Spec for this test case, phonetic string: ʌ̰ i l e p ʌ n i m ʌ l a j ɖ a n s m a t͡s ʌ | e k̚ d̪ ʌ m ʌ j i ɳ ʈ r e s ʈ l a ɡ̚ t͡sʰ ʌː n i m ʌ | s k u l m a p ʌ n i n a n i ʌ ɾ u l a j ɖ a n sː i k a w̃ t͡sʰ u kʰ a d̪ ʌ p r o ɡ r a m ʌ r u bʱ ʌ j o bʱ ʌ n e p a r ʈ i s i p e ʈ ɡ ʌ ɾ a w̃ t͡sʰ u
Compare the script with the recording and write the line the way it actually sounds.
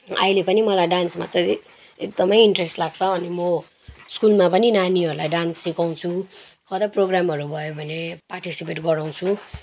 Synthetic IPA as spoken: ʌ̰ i l e p ʌ n i m ʌ l a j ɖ a n s m a t͡s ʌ | e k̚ d̪ ʌ m ʌ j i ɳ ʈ r e s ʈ l a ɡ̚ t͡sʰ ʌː n i m ʌ | s k u l m a p ʌ n i n a n i ʌ ɾ u l a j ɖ a n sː i k a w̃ t͡sʰ u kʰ ʌ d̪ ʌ p r o ɡ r a m ʌ ɾ u bʱ ʌ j o bʱ ʌ n e p a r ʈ i s i p e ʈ ɡ ʌ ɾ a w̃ t͡sʰ u